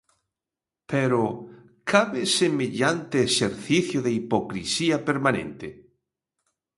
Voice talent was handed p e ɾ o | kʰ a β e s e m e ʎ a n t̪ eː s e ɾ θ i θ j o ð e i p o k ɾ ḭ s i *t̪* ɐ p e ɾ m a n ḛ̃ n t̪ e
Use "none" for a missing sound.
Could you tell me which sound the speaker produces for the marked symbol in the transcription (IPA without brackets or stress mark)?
none